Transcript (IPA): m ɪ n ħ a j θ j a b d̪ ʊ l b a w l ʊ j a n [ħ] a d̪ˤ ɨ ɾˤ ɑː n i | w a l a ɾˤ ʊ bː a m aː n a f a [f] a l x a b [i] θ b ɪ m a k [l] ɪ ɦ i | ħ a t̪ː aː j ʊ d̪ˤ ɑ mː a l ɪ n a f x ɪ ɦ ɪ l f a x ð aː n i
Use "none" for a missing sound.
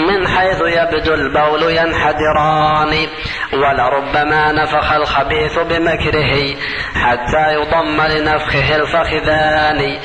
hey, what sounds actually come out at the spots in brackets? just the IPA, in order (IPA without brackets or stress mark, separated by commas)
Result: ħ, x, iː, ɾ